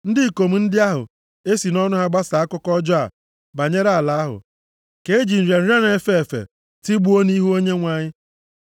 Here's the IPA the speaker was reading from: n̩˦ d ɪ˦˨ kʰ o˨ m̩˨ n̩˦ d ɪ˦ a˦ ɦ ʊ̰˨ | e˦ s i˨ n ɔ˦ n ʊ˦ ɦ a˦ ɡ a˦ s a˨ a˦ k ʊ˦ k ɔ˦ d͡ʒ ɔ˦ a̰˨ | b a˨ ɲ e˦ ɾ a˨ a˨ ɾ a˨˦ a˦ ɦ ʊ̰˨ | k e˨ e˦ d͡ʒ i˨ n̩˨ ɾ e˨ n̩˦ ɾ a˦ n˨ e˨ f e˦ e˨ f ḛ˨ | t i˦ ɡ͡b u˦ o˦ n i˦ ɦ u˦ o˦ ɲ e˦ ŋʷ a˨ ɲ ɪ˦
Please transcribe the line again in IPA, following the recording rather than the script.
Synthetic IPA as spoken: n̩˦ d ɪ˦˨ k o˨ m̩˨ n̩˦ d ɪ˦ a˦ ɦ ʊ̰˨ | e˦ s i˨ n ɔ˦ n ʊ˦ ɦ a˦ ɡ͡b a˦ s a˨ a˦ k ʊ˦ k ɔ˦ d͡ʒ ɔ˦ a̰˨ | b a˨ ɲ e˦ ɾ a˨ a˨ l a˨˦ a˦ ɦ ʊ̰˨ | k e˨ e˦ d͡ʒ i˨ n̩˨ ɾ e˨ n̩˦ ɾ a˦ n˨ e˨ f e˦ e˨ f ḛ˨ | t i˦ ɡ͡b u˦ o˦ n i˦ ɦ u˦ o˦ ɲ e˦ ŋʷ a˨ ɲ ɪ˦